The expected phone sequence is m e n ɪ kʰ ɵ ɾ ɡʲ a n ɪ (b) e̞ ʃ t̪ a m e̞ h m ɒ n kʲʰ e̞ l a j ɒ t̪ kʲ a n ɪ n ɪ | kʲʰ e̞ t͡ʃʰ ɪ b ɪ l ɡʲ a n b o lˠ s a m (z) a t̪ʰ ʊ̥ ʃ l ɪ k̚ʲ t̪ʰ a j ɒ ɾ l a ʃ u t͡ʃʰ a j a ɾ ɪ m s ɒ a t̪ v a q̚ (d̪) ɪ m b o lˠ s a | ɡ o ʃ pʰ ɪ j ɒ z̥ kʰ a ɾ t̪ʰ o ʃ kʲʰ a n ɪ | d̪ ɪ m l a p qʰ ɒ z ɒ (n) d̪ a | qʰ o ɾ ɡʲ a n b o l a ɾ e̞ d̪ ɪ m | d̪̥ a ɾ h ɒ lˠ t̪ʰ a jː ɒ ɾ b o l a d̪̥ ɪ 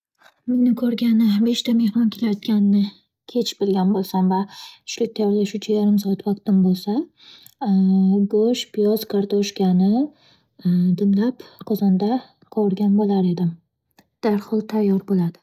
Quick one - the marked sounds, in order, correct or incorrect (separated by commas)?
correct, incorrect, incorrect, correct